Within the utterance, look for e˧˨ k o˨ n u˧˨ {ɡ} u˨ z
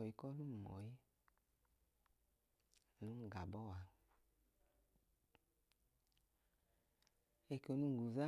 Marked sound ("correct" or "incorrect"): correct